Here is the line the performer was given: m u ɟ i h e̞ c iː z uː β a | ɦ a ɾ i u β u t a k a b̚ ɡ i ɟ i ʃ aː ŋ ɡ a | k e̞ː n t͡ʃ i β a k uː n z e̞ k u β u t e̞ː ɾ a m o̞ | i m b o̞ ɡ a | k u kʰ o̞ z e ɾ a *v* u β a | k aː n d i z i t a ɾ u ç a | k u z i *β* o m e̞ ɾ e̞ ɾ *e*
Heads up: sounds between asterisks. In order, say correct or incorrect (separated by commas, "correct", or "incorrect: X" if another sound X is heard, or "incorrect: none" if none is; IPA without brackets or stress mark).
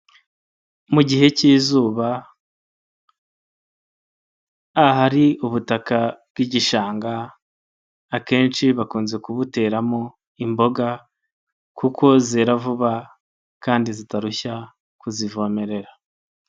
correct, incorrect: v, incorrect: a